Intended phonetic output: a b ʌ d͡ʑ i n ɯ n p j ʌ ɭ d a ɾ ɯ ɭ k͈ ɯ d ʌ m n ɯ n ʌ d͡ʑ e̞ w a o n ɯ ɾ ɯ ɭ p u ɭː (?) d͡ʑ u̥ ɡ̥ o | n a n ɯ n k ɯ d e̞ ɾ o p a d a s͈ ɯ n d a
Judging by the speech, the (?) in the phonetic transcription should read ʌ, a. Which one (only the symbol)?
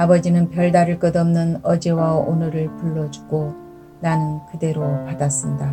ʌ